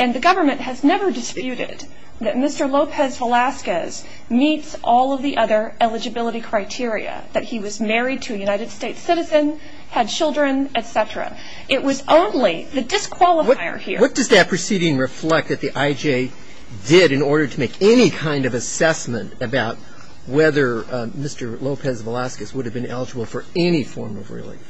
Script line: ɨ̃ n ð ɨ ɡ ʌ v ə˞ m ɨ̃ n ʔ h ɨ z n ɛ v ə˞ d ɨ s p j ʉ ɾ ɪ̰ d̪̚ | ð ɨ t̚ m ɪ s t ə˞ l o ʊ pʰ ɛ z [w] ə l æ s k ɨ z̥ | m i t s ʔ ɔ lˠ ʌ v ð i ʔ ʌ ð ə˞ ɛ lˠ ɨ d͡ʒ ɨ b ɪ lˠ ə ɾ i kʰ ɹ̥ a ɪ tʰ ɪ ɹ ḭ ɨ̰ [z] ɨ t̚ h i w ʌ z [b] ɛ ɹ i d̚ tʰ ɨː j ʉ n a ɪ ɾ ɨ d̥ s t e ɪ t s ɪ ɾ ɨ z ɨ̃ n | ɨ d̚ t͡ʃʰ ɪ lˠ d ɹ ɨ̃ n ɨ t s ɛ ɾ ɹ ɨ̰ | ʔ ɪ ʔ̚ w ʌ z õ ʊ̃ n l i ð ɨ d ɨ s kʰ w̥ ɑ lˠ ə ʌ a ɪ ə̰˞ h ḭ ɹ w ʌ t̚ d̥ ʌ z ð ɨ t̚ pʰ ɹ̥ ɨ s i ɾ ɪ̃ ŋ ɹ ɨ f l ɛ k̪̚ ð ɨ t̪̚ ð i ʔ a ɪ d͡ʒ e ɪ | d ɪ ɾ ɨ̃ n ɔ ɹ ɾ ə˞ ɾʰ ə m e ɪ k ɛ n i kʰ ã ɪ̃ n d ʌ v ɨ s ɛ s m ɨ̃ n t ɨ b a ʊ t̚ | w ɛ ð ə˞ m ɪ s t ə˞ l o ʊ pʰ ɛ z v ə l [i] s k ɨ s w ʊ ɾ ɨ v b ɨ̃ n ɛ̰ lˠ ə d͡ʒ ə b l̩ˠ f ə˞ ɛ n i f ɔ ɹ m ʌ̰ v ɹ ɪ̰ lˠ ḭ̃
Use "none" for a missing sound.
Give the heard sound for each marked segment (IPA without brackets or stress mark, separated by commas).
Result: v, ð, m, æ